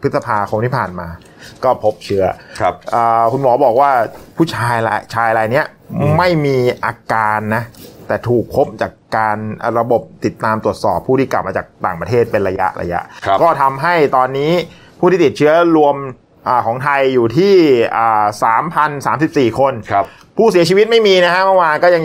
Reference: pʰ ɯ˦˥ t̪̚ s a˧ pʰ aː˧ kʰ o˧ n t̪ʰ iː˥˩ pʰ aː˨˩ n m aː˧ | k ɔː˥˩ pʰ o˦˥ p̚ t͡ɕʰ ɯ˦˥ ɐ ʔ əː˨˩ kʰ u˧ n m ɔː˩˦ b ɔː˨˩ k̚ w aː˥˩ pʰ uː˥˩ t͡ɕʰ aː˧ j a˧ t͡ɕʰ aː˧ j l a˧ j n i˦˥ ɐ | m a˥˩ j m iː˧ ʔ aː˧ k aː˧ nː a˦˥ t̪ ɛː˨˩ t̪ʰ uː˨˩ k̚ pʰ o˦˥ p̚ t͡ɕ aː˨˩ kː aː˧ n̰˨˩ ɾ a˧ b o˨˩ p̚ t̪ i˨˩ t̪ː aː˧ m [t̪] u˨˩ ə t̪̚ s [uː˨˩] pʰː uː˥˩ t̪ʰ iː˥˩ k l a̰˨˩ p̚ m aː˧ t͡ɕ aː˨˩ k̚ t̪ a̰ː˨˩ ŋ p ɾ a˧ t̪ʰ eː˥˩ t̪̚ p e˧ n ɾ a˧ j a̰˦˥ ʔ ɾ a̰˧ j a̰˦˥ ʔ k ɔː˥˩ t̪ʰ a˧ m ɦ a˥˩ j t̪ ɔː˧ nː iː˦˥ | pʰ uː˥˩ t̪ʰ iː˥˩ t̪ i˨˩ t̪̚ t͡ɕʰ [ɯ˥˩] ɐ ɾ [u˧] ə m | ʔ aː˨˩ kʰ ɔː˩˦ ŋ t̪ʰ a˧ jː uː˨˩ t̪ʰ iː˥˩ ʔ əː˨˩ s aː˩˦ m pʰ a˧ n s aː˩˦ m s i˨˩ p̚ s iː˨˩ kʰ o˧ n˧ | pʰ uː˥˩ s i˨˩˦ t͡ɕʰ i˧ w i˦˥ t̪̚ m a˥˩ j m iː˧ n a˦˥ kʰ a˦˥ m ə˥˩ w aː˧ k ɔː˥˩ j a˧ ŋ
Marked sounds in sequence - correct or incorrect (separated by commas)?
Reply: correct, incorrect, incorrect, correct